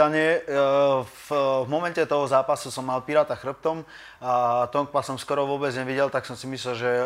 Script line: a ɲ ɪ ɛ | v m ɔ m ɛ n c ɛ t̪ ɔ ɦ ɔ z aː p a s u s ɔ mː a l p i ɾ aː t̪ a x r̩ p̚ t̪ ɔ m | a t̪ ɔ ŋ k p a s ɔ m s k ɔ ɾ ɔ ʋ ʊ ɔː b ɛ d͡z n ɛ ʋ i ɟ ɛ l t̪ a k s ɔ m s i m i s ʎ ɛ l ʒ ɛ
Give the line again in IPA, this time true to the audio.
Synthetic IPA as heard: a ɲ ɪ ɛ | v m ɔ m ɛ n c ɛ t̪ ɔ ɦ ɔ z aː p a s u s ɔ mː a l p i ɾ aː t̪ a x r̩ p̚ t̪ ɔ m | a t̪ ɔ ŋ k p a s ɔ m s k ɔ ɾ ɔ ʋ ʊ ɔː b ɛ d͡z ɲ ɛ ʋ i ɟ ɛ l t̪ a k s ɔ m s i m i s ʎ ɛ l ʒ ɛ